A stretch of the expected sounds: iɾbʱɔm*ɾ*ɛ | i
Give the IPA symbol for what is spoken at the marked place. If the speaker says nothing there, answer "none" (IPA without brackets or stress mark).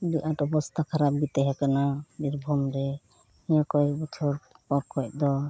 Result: ɾ